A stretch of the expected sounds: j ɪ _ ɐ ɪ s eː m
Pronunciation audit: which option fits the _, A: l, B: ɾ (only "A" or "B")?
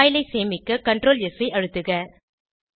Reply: A